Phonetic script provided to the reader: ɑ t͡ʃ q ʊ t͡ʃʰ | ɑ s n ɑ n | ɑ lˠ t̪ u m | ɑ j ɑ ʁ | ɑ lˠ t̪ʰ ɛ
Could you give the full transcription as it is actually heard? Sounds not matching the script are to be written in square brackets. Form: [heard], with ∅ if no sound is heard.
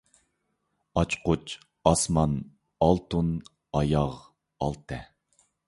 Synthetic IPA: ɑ t͡ʃ q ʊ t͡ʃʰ | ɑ s [m] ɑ n | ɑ lˠ t̪ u [n] | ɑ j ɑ ʁ | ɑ lˠ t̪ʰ ɛ